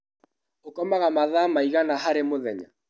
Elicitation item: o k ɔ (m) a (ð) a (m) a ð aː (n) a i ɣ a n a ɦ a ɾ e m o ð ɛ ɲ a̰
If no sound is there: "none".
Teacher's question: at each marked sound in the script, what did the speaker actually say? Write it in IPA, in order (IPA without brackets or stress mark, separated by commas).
m, ɣ, m, m